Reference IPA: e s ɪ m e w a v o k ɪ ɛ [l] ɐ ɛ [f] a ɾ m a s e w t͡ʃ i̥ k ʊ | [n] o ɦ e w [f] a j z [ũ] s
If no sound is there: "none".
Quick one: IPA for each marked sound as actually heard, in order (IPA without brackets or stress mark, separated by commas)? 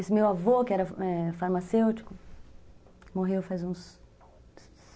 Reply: ɾ, f, m, f, ũ